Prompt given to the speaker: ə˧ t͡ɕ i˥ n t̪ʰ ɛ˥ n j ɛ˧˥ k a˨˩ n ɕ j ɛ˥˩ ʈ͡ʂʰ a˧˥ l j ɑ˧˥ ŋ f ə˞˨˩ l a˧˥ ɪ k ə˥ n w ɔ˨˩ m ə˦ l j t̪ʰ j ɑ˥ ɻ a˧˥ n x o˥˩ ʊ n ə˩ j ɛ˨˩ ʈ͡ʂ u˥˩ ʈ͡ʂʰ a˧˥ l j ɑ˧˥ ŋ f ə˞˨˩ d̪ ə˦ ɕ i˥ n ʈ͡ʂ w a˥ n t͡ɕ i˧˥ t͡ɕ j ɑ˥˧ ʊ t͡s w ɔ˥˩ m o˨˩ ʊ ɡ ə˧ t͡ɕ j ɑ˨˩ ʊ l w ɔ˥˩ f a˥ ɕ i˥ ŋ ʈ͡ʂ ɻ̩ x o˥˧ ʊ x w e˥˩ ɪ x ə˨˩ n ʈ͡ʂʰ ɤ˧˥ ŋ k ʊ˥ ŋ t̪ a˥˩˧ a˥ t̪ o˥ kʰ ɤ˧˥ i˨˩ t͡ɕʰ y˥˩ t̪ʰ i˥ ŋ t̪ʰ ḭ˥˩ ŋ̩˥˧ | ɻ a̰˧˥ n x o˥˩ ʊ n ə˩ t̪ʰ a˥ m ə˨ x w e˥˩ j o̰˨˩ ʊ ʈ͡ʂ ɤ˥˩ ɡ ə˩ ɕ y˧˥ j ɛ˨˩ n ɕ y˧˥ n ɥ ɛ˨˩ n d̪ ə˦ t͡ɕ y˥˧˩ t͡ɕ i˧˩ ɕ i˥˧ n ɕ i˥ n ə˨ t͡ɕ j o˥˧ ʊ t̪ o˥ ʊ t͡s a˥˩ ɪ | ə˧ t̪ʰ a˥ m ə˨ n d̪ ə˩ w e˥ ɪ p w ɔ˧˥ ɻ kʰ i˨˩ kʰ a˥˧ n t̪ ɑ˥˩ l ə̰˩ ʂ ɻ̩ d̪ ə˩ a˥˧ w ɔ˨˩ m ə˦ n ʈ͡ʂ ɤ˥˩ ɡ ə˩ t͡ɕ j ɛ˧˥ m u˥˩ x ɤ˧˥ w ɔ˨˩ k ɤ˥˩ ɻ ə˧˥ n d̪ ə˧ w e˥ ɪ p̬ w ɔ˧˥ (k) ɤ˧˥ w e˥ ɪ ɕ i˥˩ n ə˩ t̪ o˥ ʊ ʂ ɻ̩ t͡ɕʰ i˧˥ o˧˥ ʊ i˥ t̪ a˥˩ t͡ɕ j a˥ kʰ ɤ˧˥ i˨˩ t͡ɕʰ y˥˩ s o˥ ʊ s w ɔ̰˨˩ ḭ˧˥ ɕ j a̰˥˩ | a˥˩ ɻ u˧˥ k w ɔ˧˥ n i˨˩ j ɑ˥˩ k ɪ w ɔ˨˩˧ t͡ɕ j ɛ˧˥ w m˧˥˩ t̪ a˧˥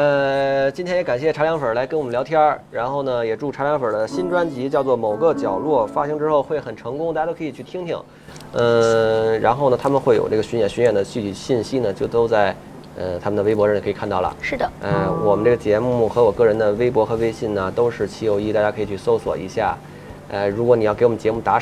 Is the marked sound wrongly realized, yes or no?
yes